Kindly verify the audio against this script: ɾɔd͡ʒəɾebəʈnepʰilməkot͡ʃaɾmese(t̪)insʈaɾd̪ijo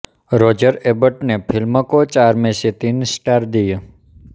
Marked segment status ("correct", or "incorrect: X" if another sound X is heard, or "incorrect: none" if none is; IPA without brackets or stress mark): correct